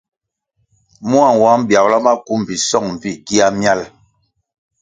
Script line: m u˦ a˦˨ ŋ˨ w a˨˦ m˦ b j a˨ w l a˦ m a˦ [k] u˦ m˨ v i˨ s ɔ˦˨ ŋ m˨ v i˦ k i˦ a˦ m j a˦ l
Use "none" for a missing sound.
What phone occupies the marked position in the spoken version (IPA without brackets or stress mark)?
k